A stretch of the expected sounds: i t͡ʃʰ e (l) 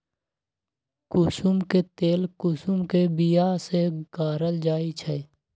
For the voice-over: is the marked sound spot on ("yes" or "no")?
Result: no